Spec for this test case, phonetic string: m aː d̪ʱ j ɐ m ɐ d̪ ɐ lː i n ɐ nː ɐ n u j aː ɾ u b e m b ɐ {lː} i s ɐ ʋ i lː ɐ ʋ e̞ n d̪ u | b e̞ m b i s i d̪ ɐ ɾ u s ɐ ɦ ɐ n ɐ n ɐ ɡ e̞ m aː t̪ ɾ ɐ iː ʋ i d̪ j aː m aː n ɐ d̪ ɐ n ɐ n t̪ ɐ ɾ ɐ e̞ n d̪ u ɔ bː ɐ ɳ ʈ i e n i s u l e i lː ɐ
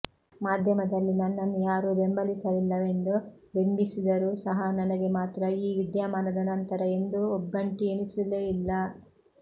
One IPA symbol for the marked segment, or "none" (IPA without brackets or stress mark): l